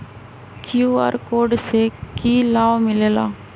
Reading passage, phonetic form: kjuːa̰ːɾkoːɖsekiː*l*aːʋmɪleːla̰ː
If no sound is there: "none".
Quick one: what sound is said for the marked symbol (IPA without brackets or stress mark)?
l